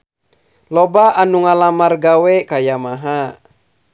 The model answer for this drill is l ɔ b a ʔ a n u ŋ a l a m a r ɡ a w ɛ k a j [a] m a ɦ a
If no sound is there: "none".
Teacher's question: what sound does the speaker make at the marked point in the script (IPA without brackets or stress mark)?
a